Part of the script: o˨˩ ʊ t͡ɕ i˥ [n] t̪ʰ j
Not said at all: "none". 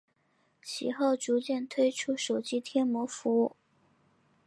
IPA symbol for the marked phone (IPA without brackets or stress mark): none